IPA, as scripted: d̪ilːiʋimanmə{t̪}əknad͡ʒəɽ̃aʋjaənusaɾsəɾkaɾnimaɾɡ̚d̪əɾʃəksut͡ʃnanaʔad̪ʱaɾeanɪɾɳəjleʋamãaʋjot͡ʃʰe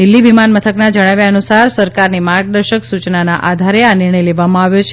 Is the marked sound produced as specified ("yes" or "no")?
no